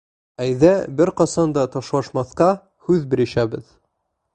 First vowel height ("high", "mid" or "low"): low